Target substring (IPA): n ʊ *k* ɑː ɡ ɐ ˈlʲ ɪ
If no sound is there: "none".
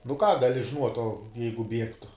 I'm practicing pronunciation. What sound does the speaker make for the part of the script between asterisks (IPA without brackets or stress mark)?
k